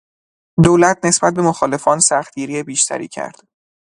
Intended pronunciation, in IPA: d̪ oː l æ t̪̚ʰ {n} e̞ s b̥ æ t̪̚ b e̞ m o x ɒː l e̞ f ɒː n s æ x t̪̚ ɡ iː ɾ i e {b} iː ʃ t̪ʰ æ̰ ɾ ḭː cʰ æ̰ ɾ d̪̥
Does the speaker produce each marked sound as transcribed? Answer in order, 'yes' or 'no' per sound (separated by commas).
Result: yes, yes